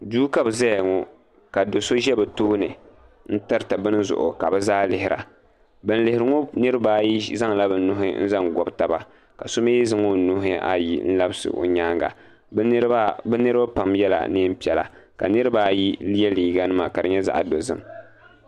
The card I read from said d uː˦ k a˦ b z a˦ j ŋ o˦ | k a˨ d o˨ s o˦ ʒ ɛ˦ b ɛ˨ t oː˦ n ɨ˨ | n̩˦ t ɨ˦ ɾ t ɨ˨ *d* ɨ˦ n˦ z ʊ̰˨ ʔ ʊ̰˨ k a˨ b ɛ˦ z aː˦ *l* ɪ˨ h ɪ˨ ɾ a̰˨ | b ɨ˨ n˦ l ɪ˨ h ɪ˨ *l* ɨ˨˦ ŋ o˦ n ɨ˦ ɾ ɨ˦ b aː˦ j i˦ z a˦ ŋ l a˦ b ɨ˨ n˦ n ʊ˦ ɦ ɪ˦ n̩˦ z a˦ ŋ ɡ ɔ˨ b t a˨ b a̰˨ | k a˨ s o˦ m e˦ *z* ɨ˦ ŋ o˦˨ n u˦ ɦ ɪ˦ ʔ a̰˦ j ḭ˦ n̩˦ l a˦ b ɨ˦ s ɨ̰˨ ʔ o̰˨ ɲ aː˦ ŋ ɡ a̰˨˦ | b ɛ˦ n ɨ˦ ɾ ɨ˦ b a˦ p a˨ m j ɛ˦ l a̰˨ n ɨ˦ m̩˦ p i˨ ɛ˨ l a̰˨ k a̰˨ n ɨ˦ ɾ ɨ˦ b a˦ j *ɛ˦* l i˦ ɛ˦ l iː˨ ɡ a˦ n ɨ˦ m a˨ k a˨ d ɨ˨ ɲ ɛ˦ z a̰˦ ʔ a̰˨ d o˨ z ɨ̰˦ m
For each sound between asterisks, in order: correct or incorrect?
incorrect, correct, incorrect, correct, incorrect

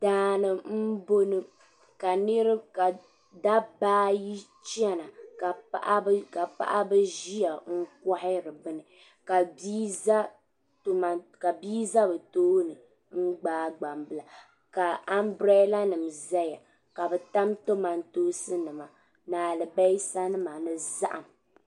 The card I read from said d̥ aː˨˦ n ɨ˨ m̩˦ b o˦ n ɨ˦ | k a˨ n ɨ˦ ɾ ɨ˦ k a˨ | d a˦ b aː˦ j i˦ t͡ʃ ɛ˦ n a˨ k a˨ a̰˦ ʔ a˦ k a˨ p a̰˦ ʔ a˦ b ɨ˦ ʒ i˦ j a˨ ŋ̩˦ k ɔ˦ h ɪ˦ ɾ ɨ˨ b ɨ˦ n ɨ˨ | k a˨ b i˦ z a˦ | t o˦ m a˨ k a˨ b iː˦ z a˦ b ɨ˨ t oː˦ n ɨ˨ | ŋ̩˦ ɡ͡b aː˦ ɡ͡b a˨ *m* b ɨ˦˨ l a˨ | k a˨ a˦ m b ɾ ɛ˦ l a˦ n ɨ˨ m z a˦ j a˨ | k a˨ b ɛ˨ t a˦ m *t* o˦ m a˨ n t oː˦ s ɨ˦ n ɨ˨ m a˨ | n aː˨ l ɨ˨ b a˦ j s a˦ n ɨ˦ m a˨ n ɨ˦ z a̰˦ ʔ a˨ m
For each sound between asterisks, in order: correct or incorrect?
correct, correct

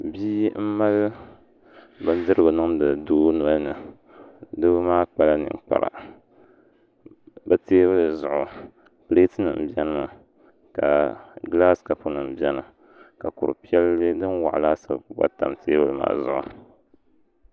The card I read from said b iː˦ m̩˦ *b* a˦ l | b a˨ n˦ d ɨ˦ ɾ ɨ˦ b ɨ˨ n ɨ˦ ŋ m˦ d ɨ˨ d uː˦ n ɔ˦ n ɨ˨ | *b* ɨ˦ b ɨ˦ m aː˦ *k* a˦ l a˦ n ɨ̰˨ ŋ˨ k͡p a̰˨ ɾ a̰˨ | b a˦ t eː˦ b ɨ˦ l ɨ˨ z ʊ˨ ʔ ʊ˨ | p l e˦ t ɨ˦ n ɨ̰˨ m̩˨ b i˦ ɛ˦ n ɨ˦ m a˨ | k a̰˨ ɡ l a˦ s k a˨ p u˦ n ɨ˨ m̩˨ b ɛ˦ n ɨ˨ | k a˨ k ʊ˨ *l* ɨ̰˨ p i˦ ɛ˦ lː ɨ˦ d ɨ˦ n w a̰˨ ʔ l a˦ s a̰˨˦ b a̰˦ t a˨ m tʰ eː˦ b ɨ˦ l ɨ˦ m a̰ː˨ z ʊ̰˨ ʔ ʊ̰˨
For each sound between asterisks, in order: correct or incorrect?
incorrect, incorrect, incorrect, incorrect

